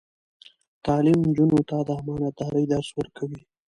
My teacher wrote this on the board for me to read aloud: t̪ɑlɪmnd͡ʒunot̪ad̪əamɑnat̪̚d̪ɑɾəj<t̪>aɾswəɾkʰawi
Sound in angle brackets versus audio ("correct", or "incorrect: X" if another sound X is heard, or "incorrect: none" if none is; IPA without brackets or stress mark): incorrect: d̪